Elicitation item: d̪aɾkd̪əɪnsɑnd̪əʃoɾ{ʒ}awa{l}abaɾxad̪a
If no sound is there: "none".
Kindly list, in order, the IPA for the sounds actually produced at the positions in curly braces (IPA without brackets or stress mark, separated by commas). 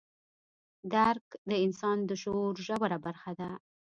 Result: ʒ, ɾ